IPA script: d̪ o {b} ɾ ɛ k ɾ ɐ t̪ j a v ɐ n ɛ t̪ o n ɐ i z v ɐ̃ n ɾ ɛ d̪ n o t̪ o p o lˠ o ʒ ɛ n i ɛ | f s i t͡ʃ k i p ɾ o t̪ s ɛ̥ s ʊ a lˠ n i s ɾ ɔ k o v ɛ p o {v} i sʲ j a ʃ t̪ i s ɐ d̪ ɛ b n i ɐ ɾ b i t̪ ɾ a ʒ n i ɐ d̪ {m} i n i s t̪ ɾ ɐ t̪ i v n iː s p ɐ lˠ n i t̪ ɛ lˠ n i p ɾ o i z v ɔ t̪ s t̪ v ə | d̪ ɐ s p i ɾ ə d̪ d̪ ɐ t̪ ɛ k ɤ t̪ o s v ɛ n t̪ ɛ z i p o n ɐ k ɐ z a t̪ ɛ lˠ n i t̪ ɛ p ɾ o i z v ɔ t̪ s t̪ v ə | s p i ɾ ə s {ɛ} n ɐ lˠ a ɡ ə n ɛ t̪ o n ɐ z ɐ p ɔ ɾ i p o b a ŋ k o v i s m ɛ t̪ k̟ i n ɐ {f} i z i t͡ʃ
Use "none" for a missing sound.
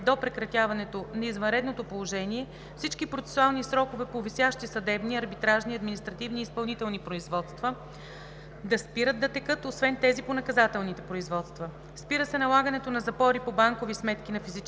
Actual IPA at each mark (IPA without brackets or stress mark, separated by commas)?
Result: p, v, m, ɛ, f